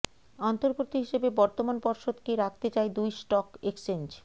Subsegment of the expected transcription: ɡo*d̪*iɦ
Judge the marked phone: incorrect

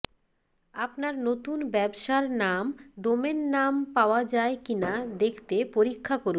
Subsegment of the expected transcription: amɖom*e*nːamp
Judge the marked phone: correct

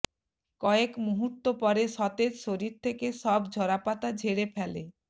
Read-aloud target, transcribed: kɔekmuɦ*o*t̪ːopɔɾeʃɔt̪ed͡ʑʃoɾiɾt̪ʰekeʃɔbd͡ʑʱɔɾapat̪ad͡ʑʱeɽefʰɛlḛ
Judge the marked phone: incorrect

